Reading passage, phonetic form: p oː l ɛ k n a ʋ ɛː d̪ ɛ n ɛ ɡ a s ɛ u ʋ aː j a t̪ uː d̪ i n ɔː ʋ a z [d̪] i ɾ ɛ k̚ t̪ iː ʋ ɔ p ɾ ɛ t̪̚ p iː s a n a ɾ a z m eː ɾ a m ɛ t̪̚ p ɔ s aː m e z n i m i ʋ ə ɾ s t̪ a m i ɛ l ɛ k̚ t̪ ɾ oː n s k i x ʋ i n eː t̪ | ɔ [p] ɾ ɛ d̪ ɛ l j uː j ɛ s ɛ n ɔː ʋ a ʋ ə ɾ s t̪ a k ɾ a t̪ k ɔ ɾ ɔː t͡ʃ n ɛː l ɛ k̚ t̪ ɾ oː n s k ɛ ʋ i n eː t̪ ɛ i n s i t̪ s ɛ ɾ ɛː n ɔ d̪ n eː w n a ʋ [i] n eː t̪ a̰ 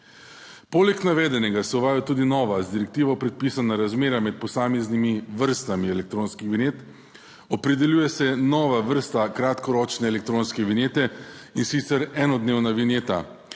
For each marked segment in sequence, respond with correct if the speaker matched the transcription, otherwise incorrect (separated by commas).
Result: correct, correct, correct